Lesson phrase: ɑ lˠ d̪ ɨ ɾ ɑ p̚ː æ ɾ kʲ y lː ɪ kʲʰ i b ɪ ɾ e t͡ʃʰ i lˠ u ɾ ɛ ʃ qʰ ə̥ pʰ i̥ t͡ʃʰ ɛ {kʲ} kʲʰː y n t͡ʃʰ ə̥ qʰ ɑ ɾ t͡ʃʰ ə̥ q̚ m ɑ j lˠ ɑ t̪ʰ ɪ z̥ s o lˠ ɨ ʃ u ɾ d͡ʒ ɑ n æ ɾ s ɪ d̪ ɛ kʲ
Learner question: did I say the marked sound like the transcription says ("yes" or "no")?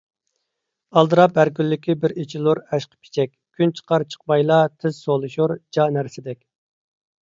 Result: yes